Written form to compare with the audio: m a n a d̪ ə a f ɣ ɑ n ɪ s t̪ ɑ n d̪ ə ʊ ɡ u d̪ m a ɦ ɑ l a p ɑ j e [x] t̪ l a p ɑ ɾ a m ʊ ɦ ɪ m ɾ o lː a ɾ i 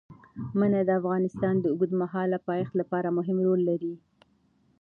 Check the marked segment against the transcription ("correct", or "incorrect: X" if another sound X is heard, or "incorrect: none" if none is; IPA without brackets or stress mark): correct